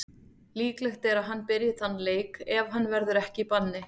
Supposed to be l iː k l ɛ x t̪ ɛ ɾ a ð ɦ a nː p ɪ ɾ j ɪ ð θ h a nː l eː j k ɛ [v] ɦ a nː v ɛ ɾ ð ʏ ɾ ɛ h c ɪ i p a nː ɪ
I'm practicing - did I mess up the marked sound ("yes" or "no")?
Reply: no